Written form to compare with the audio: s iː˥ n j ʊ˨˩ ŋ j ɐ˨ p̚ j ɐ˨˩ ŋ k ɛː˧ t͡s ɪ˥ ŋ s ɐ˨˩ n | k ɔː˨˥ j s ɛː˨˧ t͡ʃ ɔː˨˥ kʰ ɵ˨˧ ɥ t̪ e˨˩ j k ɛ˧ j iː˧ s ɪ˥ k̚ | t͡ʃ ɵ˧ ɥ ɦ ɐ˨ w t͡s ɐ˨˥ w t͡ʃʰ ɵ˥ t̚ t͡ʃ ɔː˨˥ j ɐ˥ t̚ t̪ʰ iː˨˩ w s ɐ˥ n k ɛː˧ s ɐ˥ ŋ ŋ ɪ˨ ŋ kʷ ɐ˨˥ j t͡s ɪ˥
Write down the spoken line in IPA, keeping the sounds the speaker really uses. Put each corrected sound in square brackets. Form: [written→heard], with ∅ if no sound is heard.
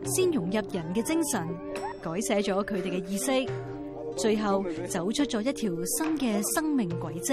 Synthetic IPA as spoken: s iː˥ n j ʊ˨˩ ŋ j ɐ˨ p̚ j ɐ˨˩ [ŋ→n] k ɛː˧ t͡s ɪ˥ ŋ s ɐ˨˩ n | k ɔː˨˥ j s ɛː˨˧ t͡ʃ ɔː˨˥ kʰ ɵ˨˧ ɥ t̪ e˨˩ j k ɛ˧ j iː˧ s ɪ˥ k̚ | t͡ʃ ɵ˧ ɥ ɦ ɐ˨ w t͡s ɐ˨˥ w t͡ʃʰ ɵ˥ t̚ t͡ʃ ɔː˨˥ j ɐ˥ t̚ t̪ʰ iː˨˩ w s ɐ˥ n k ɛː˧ s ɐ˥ ŋ [ŋ→m] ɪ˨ ŋ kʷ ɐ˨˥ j t͡s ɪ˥